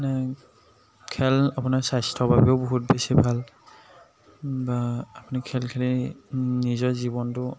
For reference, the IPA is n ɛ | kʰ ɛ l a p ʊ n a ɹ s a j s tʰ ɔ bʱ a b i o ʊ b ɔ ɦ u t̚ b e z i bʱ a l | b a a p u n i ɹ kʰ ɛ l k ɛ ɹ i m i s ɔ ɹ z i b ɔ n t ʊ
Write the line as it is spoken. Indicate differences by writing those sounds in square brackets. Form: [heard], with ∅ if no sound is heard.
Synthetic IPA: n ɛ | kʰ ɛ l a p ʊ n a ɹ s a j s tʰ ɔ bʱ a b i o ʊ b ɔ ɦ u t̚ b e [s] i bʱ a l | b a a p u n i [∅] kʰ ɛ l [kʰ] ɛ [l] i [n] i [z] ɔ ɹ z i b ɔ n t ʊ